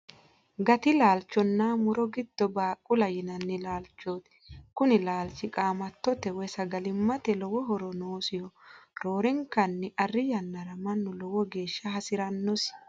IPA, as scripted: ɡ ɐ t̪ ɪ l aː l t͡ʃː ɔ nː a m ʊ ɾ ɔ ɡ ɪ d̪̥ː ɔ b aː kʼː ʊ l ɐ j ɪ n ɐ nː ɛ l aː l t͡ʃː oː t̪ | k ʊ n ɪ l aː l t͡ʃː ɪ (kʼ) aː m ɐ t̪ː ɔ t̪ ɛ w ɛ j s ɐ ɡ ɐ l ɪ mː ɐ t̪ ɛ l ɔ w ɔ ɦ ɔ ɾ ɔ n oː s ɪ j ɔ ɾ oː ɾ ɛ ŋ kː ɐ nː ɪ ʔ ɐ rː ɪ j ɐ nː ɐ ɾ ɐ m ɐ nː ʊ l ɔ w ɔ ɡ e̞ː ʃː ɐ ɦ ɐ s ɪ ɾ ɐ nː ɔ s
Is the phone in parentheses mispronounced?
no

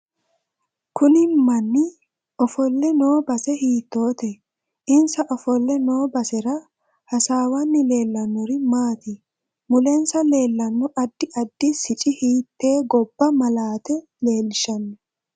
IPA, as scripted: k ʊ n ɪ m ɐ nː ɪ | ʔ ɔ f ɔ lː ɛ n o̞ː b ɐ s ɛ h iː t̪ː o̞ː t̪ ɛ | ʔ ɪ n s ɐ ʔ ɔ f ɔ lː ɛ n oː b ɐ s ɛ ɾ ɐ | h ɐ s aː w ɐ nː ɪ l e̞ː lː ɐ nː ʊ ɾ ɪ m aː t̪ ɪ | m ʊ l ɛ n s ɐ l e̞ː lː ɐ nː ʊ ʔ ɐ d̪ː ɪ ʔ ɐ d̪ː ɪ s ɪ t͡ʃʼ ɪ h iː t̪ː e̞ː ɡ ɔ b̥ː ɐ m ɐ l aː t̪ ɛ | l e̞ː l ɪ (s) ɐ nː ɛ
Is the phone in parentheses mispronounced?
yes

